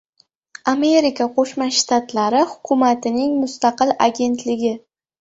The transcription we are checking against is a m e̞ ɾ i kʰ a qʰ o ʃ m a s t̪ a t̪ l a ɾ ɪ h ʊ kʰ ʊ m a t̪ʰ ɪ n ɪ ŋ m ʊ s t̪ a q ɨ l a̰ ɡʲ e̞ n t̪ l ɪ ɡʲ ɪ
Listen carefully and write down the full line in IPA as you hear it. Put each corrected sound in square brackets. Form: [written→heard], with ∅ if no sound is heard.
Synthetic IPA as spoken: a m e̞ ɾ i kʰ a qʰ o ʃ m a [s→ʃ] t̪ a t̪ l a ɾ ɪ h ʊ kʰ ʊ m a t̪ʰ ɪ n ɪ ŋ m ʊ s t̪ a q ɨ l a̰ ɡʲ e̞ n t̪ l ɪ ɡʲ ɪ